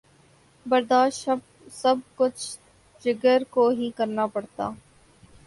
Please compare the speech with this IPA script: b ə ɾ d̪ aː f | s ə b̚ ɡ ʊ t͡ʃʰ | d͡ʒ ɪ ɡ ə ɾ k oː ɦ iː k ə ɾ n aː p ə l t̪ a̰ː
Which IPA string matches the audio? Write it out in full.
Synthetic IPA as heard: b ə ɾ d̪ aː ʃ | s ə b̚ k ʊ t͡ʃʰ | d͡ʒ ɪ ɡ ə ɾ k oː ɦ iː k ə ɾ n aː p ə ɽ t̪ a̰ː